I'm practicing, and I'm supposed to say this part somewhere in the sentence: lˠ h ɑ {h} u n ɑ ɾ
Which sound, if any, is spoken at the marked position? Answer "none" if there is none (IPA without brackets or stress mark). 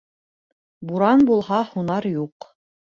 h